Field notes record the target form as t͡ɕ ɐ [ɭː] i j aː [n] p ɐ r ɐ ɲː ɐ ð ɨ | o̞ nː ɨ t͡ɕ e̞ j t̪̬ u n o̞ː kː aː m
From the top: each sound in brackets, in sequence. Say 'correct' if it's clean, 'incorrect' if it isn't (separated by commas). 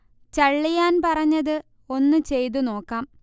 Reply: correct, correct